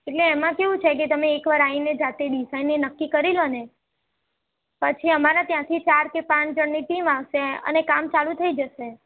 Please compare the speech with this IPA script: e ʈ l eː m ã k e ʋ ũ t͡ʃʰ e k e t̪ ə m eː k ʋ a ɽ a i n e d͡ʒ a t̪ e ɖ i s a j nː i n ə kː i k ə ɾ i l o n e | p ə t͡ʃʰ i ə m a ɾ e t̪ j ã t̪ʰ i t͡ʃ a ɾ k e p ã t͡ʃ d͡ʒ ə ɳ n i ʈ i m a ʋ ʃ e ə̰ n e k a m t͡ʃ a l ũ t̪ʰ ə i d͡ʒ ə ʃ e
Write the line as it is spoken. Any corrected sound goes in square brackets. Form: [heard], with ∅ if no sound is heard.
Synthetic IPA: e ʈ l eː m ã k e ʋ ũ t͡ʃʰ e k e t̪ ə m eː k ʋ a [ɾ] a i n e d͡ʒ a t̪ e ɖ i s a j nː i n ə kː i k ə ɾ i l o n e | p ə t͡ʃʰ i ə m a ɾ [a] t̪ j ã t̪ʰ i t͡ʃ a ɾ k e p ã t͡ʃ d͡ʒ ə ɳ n i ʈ i m a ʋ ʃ e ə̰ n e k a m t͡ʃ a l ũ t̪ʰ ə i d͡ʒ ə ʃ e